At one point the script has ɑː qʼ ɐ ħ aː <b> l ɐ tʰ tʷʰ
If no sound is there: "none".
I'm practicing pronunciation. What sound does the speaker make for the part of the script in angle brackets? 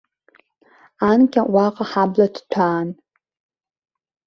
b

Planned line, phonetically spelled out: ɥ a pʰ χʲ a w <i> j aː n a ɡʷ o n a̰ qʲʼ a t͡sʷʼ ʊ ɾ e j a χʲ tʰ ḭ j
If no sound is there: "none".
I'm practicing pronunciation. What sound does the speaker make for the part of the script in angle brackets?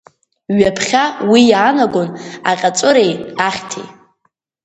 i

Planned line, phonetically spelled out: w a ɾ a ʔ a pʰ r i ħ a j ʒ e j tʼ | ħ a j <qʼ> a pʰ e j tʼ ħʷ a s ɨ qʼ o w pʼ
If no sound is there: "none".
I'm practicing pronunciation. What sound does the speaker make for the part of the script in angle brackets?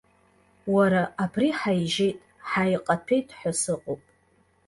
qʼ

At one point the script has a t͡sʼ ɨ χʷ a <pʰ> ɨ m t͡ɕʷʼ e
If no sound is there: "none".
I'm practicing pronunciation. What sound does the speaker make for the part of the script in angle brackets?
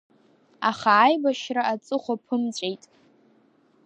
pʰ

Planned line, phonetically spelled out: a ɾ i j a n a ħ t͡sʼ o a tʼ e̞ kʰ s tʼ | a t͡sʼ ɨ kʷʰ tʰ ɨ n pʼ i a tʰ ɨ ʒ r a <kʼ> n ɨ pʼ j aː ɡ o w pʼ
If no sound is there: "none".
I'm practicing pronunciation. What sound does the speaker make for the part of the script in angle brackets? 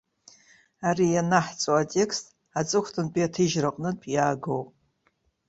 qʼ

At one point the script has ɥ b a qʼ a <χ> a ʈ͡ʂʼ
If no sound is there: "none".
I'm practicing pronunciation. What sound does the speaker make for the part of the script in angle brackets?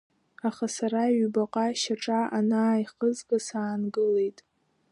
ʃ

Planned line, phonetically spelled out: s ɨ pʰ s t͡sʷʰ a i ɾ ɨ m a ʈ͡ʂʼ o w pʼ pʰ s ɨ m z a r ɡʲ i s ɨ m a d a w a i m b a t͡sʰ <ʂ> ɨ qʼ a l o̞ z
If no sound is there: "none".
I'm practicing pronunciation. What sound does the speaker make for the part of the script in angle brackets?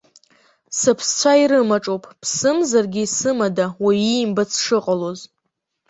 ʂ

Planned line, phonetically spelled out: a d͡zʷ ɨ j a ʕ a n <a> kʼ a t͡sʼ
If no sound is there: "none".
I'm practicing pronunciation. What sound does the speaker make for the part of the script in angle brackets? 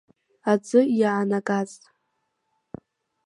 a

